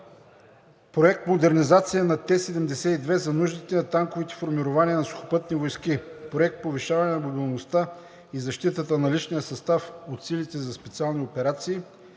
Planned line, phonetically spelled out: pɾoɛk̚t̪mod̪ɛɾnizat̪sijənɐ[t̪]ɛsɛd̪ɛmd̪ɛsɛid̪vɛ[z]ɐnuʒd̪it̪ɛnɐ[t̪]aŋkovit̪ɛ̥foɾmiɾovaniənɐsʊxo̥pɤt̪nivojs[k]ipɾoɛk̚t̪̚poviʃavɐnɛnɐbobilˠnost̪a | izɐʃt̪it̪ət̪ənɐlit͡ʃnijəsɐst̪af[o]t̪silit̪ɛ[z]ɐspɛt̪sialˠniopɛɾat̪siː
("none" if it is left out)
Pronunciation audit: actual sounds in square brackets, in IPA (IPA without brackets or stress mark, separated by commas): t̪, z, t̪, k, o, z